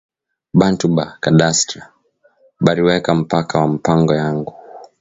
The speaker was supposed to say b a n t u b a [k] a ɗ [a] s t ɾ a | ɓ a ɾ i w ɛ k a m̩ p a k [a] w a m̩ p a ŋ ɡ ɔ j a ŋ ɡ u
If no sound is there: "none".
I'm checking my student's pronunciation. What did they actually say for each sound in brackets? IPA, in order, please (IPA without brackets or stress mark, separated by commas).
k, a, a